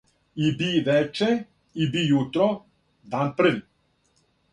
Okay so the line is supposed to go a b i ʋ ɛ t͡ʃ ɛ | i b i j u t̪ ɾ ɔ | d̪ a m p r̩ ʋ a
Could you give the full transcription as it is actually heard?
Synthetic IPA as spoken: i b i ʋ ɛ t͡ʃ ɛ | i b i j u t̪ ɾ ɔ | d̪ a n p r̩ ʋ i